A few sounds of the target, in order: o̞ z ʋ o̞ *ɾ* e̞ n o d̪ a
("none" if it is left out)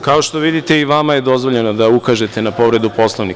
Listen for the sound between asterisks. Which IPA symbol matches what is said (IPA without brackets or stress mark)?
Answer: ʎ